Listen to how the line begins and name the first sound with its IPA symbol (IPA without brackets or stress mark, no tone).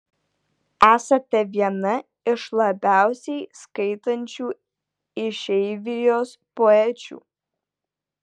æː